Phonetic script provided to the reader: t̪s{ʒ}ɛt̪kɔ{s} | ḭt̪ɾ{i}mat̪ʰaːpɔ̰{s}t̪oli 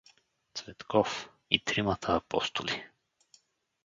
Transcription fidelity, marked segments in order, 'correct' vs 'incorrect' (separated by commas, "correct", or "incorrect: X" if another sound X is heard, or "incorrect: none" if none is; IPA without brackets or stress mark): incorrect: v, incorrect: f, correct, correct